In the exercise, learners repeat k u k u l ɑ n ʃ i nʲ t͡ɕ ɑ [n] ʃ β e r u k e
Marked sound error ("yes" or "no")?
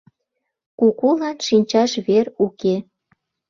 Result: yes